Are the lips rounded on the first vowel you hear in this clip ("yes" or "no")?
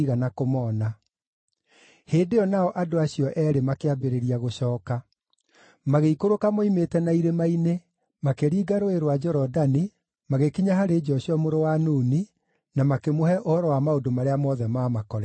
no